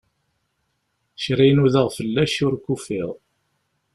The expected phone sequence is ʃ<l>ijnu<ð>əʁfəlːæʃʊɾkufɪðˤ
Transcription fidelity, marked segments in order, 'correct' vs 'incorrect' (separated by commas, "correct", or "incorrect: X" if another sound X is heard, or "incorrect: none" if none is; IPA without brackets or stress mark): incorrect: ɾ, correct